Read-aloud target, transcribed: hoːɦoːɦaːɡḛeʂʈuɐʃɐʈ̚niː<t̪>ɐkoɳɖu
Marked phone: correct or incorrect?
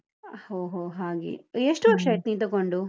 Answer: correct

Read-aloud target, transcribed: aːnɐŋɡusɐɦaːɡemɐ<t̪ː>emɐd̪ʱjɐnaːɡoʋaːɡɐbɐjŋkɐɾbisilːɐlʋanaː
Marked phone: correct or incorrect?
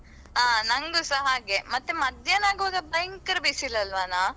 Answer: correct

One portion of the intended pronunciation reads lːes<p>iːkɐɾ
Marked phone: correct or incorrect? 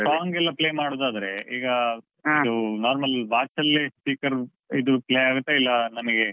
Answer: correct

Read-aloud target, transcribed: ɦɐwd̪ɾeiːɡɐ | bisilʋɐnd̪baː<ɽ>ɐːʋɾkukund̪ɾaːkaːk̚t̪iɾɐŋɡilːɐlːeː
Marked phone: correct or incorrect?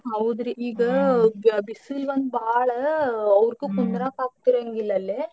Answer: incorrect: ɭ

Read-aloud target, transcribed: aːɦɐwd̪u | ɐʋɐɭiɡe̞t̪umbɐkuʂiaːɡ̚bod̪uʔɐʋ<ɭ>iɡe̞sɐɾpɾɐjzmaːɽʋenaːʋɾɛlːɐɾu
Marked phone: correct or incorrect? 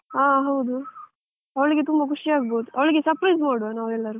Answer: correct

